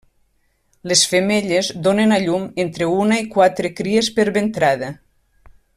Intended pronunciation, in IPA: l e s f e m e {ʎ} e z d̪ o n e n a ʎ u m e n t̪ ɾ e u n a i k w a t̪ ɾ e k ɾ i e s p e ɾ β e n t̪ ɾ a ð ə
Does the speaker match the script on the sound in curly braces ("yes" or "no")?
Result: yes